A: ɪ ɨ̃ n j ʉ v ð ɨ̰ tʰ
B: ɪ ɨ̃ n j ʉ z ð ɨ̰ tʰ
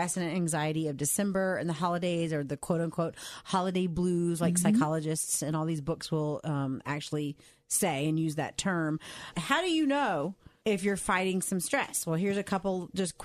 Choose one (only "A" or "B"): B